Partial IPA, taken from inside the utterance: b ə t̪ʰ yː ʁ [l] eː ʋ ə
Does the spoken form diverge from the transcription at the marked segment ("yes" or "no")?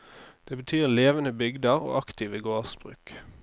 no